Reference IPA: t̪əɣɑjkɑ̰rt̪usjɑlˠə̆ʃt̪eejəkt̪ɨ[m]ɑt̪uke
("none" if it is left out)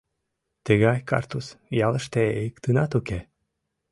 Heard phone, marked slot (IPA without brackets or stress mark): n